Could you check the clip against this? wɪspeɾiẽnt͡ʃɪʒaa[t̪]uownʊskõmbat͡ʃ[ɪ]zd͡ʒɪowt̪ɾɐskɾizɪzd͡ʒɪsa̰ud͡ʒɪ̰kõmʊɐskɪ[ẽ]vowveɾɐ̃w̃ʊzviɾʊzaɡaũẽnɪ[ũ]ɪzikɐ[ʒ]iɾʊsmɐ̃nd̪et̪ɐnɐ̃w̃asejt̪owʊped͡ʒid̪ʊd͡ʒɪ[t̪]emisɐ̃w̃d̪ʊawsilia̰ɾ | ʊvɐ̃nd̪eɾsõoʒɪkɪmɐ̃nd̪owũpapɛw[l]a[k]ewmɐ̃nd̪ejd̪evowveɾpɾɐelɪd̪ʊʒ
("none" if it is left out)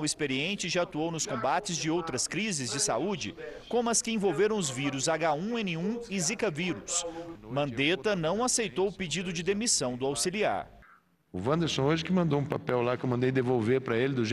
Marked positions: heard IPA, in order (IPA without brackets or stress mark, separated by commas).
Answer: t̪, ɪ, ẽ, ũ, v, d̪, l, k